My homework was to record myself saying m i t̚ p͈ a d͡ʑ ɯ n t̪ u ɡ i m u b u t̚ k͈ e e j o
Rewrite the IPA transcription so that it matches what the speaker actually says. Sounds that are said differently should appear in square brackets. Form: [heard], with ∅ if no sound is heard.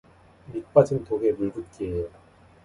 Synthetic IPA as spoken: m i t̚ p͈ a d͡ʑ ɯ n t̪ [o] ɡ [e] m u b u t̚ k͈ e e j o